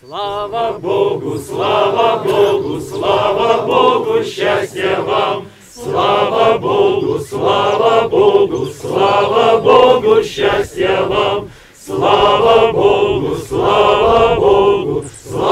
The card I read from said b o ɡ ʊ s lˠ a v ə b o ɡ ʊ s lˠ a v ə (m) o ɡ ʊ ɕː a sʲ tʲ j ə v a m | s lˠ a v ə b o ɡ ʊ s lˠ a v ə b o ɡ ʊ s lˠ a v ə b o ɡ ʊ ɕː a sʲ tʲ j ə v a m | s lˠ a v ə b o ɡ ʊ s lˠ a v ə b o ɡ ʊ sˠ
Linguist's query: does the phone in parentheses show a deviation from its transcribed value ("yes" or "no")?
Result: yes